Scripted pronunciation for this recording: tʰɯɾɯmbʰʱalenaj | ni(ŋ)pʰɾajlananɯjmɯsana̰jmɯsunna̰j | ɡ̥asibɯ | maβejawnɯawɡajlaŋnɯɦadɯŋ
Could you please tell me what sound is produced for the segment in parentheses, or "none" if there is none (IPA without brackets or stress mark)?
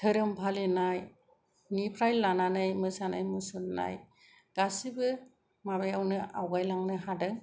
none